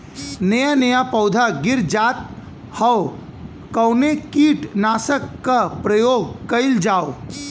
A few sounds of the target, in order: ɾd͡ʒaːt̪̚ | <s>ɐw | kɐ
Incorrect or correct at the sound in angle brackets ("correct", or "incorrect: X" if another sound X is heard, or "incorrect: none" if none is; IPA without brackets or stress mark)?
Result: incorrect: h